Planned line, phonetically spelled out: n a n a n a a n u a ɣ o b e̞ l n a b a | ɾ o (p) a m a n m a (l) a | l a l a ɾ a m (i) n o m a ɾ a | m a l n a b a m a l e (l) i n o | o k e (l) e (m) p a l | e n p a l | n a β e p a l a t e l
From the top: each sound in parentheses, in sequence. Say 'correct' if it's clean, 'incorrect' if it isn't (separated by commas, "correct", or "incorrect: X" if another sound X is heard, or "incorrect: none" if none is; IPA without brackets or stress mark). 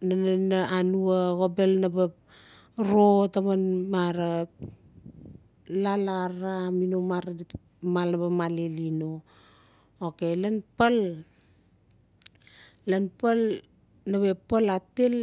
incorrect: t, incorrect: ɾ, correct, correct, correct, incorrect: n